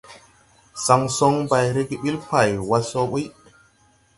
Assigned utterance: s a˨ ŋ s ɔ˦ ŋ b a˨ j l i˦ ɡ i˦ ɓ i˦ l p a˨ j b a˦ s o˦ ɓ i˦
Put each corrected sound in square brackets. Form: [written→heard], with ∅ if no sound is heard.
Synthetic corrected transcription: s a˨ ŋ s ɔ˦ ŋ b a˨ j [l→ɾ] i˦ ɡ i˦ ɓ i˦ l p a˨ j [b→w] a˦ s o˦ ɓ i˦

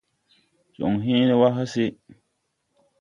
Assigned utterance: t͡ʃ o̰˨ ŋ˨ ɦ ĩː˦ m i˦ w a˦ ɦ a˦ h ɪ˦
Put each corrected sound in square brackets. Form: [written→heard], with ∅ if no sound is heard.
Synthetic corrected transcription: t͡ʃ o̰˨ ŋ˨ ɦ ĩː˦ [m→n] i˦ w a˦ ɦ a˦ [h→s] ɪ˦

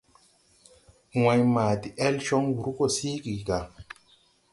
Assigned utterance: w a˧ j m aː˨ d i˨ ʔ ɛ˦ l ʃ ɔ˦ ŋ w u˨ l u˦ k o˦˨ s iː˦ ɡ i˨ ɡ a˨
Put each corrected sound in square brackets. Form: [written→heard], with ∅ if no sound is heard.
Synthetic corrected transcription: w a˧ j m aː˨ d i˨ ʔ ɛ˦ l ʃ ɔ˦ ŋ w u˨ [l→ɾ] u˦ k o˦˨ s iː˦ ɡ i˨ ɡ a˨

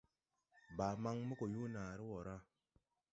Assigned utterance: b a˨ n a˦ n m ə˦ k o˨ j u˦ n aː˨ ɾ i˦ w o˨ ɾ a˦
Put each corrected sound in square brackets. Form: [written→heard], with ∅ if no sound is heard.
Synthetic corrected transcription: b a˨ [n→m] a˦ [n→ŋ] m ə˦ k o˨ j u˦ n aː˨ ɾ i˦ w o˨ ɾ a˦

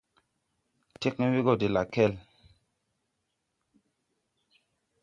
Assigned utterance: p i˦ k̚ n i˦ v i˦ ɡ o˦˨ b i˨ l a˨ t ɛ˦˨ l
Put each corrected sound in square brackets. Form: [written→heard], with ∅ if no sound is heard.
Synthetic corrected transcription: [p→t] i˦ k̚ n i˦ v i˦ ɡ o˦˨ [b→d] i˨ l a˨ [t→k] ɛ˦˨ l

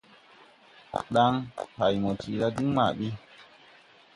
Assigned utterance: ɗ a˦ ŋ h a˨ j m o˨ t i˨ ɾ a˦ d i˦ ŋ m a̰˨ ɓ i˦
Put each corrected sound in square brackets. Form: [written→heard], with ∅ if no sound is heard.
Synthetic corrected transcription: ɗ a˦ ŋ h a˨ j m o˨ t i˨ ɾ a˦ d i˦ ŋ m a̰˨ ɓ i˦

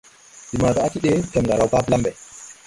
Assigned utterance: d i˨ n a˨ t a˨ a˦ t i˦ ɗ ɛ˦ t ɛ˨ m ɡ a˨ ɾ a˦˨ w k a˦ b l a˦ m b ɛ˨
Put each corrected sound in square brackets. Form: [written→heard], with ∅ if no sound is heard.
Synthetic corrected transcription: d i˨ [n→m] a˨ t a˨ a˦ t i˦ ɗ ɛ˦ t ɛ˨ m ɡ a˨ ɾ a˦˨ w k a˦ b l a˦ m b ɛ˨

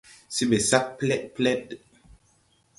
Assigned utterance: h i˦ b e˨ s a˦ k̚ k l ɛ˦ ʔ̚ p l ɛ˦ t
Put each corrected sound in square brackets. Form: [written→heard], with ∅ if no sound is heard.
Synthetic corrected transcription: [h→s] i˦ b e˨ s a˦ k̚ [k→p] l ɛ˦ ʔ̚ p l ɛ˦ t

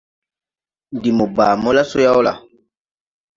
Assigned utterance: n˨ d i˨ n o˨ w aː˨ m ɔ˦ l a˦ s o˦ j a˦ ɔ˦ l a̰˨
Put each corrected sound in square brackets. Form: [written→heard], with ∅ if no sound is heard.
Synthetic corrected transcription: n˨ d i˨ [n→m] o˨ [w→b] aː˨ m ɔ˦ l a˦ s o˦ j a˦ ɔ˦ l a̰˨

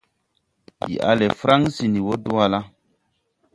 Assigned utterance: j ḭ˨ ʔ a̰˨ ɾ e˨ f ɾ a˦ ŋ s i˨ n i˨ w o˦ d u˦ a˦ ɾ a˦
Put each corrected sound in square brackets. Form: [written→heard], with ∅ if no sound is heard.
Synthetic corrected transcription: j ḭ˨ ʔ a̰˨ [ɾ→l] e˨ f ɾ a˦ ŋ s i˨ n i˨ w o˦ d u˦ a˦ [ɾ→l] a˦

